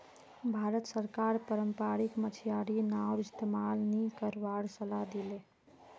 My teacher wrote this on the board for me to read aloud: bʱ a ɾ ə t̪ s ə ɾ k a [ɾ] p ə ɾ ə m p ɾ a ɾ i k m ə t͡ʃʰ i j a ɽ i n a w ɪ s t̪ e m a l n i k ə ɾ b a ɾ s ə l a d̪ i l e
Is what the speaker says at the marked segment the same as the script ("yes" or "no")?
yes